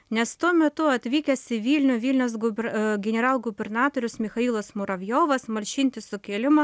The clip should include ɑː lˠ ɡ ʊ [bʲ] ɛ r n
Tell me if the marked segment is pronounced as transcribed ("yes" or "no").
yes